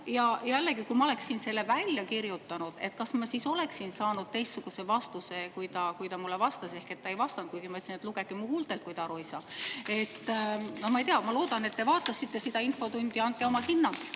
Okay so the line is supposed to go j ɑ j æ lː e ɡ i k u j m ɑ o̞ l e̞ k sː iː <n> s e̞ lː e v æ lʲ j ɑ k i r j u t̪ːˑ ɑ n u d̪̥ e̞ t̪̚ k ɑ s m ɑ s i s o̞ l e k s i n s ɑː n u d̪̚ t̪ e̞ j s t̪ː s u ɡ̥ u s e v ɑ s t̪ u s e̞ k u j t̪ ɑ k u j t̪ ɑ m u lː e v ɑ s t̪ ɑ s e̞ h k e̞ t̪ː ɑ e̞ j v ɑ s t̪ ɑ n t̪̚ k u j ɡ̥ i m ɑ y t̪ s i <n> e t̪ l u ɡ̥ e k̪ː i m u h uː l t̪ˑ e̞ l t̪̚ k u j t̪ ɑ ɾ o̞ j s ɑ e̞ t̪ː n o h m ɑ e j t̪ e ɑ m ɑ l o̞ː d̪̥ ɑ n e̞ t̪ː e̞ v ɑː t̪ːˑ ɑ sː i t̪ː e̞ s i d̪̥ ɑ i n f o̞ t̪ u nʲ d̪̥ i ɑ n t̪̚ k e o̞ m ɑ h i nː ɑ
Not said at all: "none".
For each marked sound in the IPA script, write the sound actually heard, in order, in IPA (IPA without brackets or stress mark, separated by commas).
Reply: n, n